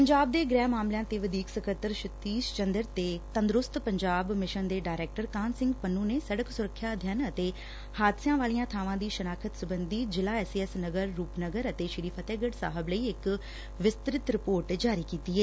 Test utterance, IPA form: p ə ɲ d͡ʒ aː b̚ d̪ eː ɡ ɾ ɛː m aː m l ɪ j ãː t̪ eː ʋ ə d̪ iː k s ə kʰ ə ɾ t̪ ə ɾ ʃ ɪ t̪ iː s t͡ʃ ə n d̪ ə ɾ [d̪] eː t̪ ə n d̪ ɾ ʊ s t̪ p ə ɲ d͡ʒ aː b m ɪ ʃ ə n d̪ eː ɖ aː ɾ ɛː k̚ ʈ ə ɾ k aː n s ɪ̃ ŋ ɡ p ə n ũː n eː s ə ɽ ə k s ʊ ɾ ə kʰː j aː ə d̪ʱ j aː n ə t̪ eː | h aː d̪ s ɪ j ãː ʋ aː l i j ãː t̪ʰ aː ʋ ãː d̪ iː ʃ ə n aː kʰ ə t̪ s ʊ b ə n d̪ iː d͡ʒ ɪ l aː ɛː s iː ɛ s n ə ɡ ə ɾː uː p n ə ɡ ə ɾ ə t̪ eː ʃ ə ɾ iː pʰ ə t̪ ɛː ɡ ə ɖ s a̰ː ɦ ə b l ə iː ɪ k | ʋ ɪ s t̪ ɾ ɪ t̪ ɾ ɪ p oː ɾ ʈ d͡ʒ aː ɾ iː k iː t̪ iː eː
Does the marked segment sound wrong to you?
yes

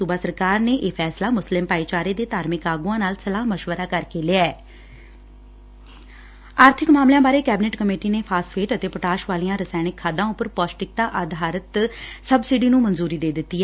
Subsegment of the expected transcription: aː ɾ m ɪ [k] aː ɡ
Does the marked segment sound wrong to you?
no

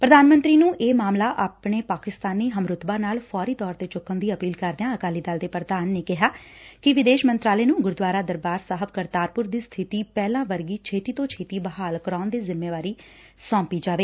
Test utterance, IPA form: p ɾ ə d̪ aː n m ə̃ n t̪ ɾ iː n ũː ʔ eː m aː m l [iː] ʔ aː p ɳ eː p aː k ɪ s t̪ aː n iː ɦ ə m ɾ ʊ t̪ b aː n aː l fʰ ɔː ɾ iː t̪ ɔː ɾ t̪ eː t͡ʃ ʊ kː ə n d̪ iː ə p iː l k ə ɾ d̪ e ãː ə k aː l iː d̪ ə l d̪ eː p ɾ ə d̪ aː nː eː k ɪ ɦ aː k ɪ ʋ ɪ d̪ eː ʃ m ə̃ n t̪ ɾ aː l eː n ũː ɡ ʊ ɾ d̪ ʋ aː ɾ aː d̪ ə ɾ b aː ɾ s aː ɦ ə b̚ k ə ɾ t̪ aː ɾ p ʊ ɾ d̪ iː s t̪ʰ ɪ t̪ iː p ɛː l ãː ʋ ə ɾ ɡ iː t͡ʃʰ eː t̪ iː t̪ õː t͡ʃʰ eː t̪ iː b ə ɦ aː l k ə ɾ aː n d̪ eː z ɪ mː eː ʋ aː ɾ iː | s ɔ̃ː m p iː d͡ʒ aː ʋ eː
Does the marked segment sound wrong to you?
yes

